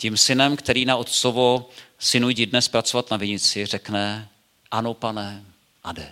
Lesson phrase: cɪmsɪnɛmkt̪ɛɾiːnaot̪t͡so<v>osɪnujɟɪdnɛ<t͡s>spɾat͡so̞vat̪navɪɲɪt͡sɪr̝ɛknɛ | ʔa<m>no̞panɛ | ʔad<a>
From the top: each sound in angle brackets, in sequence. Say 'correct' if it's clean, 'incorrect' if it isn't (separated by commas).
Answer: correct, incorrect, incorrect, incorrect